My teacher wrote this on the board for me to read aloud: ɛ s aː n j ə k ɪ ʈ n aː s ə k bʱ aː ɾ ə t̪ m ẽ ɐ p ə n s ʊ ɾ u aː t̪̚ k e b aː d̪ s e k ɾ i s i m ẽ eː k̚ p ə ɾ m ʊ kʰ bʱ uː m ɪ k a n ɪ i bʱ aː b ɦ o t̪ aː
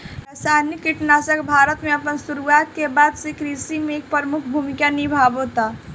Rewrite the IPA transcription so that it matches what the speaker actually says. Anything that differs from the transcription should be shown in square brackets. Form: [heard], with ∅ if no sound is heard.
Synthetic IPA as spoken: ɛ s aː n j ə k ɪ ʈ n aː s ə k bʱ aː ɾ ə t̪ m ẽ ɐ p ə n s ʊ ɾ u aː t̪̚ k e b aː d̪ s e k ɾ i s i m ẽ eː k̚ p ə ɾ m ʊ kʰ bʱ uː m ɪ k a n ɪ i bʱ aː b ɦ o t̪ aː